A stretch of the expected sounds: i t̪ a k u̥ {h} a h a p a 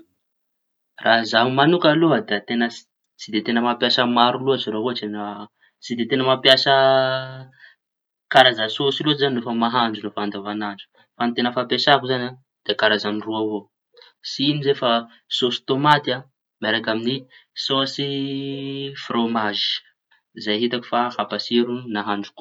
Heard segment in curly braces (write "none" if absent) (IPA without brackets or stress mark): f